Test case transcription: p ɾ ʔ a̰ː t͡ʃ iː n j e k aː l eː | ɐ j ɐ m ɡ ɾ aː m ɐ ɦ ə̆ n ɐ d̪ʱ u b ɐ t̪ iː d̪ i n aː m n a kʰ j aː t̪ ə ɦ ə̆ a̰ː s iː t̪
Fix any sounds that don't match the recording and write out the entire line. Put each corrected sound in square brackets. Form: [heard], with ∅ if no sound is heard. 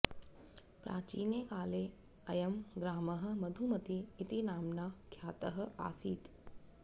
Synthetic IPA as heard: p ɾ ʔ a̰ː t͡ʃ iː n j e k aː l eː | ɐ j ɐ m ɡ ɾ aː m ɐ ɦ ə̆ [m] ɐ d̪ʱ u [m] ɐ t̪ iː [t̪] i n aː m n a kʰ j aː t̪ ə ɦ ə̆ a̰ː s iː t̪